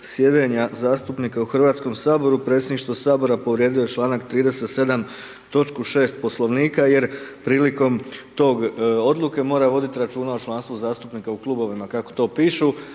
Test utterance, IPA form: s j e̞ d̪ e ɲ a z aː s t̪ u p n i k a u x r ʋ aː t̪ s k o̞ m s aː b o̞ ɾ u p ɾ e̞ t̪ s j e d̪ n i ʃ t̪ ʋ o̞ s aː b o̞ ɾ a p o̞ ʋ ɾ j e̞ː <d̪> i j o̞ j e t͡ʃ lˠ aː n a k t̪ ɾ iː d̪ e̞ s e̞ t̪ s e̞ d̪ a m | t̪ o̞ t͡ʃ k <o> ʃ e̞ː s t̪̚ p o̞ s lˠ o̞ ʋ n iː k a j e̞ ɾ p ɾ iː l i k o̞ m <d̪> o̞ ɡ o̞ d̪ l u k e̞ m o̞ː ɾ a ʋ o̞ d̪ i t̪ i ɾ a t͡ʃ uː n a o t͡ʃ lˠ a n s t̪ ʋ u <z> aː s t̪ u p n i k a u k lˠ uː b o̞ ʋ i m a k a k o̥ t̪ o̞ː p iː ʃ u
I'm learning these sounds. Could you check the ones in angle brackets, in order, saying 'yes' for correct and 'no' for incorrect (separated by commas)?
yes, no, no, yes